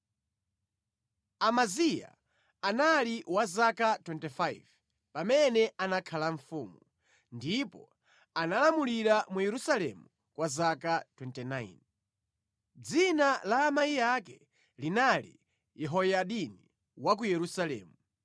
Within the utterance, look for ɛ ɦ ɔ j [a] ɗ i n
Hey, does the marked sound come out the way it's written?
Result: yes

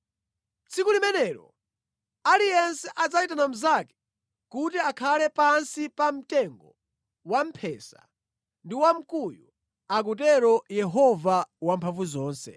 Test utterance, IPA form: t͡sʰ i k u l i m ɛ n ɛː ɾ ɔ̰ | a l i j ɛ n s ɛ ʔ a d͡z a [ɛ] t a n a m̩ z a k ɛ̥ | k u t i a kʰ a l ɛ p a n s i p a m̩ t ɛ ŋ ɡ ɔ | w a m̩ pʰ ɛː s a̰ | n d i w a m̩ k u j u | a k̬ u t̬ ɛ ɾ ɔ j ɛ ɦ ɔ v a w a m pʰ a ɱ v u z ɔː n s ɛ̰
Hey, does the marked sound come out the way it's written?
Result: no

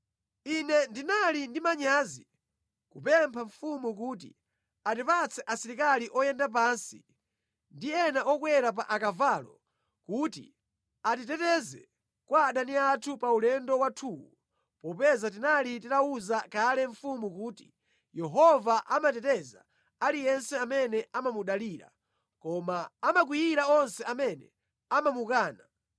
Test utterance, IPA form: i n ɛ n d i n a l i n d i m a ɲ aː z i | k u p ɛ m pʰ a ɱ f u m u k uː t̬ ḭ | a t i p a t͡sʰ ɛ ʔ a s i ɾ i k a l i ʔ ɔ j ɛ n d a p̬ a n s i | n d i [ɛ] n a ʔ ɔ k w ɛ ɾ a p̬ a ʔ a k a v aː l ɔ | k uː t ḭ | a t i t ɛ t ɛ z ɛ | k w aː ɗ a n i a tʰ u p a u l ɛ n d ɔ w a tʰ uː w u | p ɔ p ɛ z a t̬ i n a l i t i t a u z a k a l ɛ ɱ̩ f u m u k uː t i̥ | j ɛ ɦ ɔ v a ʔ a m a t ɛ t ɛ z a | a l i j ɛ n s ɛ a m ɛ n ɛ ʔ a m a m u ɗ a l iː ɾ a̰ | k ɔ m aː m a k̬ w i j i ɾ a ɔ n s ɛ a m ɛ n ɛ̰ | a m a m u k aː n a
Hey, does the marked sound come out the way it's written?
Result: yes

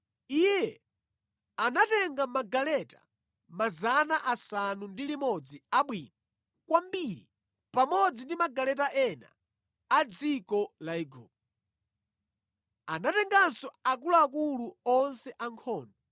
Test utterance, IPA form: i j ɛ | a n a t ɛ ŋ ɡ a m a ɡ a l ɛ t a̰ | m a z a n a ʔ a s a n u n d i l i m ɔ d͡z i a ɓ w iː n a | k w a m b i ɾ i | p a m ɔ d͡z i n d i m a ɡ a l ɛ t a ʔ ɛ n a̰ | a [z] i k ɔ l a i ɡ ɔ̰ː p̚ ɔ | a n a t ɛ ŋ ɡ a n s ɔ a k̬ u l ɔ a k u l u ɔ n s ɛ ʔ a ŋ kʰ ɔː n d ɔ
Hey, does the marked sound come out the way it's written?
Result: no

